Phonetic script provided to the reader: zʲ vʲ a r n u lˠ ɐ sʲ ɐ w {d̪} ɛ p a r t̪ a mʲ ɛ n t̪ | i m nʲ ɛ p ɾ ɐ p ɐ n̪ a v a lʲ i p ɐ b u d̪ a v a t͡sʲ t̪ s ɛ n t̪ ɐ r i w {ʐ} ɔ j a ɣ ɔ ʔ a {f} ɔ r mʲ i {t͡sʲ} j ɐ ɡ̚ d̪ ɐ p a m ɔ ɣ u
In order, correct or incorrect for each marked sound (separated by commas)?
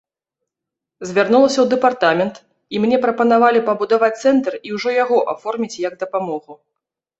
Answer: correct, correct, correct, correct